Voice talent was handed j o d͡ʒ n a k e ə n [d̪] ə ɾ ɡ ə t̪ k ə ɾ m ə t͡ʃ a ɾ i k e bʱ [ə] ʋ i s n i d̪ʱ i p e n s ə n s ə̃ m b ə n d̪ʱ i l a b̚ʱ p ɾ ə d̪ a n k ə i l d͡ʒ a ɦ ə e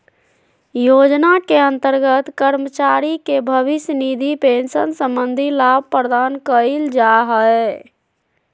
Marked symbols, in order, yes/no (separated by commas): no, yes